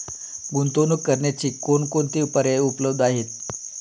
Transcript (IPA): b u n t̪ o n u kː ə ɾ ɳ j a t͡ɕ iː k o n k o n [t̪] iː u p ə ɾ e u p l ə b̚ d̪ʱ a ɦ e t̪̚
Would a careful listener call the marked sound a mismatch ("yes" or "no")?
no